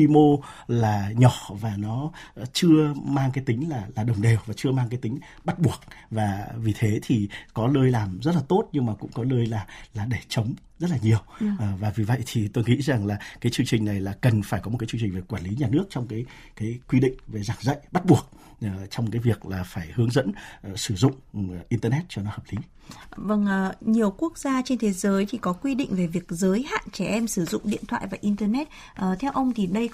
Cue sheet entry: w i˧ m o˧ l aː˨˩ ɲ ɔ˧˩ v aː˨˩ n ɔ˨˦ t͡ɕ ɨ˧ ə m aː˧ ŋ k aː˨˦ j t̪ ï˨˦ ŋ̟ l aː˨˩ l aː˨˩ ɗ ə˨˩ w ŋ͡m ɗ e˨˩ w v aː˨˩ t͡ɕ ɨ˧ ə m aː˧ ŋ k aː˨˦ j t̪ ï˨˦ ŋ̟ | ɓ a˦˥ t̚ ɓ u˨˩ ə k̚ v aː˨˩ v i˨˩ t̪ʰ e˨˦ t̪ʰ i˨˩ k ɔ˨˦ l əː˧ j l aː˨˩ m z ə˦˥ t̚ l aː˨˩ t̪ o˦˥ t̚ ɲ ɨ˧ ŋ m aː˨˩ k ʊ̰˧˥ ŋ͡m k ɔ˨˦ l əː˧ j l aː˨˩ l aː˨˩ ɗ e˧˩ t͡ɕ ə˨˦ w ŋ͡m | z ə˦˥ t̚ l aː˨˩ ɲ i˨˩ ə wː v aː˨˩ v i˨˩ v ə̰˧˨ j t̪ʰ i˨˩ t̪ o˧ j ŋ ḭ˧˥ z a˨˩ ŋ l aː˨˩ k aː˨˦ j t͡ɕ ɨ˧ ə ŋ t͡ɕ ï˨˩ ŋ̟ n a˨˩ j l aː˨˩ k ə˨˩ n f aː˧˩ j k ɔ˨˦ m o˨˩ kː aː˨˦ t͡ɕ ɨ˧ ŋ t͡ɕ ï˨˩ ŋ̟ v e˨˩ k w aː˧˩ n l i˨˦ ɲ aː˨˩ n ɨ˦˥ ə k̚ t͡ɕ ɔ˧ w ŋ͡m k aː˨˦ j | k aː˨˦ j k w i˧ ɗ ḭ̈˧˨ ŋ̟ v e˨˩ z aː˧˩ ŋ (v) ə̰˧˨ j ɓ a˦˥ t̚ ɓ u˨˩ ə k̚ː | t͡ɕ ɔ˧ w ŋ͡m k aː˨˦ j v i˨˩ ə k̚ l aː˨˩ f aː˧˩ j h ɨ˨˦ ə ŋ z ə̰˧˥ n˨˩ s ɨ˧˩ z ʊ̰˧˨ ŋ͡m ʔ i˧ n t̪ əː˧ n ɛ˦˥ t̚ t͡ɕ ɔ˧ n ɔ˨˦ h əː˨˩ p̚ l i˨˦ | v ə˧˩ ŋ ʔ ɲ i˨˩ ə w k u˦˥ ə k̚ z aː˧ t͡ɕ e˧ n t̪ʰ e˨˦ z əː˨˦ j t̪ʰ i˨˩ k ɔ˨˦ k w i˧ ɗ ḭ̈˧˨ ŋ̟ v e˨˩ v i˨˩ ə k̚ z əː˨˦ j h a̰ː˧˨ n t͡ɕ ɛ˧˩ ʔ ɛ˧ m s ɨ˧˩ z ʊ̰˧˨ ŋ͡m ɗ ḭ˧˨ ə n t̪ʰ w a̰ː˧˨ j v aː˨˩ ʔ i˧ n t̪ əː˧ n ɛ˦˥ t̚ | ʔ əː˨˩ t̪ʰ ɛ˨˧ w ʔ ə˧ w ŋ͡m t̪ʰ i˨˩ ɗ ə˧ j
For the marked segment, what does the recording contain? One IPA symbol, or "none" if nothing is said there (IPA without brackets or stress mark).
z